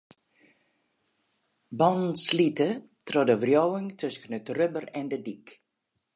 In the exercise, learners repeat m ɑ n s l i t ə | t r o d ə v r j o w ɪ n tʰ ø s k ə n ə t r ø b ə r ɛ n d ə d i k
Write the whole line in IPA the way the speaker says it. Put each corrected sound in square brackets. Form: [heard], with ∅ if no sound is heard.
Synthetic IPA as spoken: [b] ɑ n s l i t ə | t r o d ə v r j o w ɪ [ŋ] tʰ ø s k ə n ə t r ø b ə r ɛ n d ə d i k